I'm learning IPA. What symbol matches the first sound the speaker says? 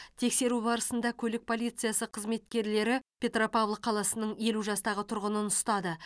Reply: t̪ʰ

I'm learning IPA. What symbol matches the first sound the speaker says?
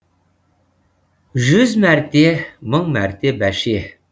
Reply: ʒ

